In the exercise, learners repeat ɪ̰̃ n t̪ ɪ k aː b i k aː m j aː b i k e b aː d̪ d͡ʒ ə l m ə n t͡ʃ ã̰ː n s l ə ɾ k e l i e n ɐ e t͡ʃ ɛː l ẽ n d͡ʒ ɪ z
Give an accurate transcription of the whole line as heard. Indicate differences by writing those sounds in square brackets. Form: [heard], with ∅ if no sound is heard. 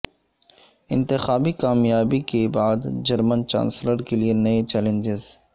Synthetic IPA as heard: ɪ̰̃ n t̪ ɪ [x] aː b i k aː m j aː b i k e b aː d̪ d͡ʒ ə [ɾ] m ə n t͡ʃ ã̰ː n s l ə ɾ k e l i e n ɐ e t͡ʃ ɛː l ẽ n d͡ʒ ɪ z